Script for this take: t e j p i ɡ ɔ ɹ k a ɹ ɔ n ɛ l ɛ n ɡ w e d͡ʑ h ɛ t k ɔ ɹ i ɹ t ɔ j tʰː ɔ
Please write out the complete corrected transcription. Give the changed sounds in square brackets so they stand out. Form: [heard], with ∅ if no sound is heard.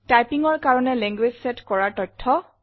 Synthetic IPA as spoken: t [a] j p i [ŋ] ɔ ɹ k a ɹ ɔ n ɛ l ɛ [ŋ] ɡ w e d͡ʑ [s] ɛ t k ɔ ɹ [a] ɹ t ɔ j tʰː ɔ